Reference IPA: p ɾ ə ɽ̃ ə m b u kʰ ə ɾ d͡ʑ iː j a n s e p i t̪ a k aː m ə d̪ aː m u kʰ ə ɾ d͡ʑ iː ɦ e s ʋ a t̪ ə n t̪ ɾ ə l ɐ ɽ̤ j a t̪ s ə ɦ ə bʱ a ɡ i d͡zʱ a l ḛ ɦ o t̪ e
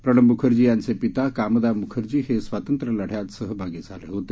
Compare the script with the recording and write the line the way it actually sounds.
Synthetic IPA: p ɾ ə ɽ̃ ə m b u kʰ ə ɾ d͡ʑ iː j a n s e p i t̪ a k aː m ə d̪ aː m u kʰ ə ɾ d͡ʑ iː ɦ e s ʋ a t̪ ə n t̪ ɾ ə l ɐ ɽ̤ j a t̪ s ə ɦ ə bʱ a ɡ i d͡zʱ a l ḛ ɦ o t̪ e